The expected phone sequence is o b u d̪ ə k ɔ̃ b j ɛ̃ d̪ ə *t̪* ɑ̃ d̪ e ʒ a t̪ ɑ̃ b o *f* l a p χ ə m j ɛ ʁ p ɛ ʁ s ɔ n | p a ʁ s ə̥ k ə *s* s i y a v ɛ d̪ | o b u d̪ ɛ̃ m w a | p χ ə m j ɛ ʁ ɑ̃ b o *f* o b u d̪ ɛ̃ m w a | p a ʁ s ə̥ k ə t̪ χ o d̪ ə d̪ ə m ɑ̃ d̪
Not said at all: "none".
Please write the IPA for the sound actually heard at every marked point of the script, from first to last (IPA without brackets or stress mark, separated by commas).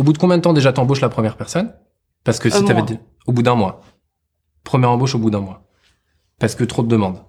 t̪, ʃ, s, ʃ